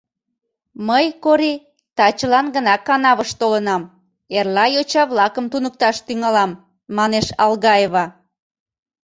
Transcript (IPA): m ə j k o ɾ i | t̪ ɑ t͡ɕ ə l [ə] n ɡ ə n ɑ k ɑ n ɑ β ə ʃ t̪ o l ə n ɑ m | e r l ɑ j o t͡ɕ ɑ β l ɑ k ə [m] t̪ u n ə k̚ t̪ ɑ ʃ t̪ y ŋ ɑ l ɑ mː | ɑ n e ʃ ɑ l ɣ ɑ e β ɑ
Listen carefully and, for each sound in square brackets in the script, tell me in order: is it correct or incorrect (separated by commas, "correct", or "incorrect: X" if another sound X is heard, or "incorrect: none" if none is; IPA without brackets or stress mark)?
incorrect: ɑ, correct